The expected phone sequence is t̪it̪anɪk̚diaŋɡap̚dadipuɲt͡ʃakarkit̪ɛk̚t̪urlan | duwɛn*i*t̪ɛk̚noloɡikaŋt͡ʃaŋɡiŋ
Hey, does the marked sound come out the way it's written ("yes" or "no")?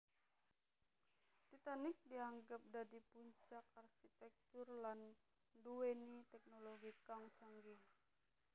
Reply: yes